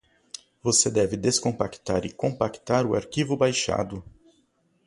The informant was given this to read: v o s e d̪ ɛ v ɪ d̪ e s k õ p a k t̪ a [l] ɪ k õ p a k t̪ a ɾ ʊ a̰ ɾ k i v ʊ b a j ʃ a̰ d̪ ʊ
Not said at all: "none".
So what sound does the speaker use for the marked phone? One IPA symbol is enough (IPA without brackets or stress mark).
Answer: ɾ